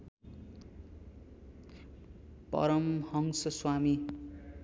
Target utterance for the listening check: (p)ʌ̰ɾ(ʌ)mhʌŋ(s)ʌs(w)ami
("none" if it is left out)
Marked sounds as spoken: p, ʌ, s, w

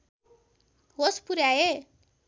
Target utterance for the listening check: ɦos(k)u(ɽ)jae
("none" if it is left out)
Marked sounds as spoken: p, ɾ

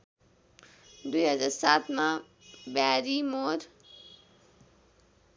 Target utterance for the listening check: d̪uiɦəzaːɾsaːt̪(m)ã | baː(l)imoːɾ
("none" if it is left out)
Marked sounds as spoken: m, ɾ

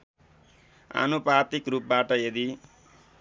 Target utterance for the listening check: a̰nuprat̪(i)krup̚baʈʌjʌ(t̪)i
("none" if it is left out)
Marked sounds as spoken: i, d̪

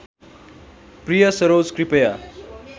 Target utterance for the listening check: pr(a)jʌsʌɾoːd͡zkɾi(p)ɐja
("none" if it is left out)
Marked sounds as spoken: i, p

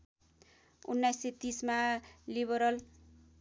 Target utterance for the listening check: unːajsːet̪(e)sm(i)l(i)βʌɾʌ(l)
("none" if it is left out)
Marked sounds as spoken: i, a, i, l

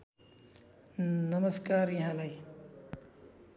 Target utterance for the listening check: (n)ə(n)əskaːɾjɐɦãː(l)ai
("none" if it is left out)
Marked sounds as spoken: n, m, l

